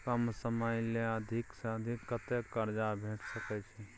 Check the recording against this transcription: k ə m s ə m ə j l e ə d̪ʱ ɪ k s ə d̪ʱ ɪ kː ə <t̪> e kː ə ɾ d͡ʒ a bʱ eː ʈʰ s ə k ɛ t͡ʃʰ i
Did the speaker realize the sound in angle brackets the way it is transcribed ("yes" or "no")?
yes